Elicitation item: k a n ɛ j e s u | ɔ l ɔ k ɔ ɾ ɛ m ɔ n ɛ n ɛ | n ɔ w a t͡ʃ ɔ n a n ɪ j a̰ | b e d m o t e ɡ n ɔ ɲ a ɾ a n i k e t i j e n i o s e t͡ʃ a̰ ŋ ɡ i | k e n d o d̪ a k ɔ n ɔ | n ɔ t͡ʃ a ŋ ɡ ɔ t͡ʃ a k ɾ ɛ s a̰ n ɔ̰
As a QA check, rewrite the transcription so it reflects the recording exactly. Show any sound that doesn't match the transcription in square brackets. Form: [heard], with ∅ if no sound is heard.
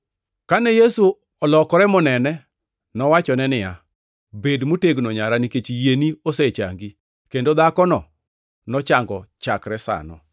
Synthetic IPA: k a n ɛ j e s u | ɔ l ɔ k ɔ ɾ ɛ m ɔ n ɛ n ɛ | n ɔ w a t͡ʃ ɔ n [ɛ] n ɪ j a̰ | b e d m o t e ɡ n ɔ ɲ a ɾ a n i k e [t͡ʃ] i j e n i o s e t͡ʃ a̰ ŋ ɡ i | k e n d o d̪ a k ɔ n ɔ | n ɔ t͡ʃ a ŋ ɡ ɔ t͡ʃ a k ɾ ɛ s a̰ n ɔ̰